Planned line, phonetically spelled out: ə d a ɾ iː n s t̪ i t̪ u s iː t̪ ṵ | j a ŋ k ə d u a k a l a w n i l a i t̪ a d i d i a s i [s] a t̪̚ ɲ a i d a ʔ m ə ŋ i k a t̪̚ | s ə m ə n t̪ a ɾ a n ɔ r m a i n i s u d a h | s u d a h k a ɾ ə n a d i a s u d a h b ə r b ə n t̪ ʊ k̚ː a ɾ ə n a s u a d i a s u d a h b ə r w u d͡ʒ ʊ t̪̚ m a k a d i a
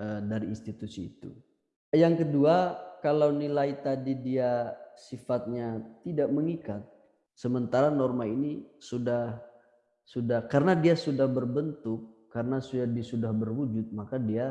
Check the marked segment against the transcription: incorrect: f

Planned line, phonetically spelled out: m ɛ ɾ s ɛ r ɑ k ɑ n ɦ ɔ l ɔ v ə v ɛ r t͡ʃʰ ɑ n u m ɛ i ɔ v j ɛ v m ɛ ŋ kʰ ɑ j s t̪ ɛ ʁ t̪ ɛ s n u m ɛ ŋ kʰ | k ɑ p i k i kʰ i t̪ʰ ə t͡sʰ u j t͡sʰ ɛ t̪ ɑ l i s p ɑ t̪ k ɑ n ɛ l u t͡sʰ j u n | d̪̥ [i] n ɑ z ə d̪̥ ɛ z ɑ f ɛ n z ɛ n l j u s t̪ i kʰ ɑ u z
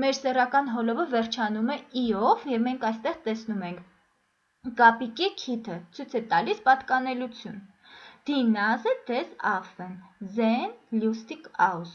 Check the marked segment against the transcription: correct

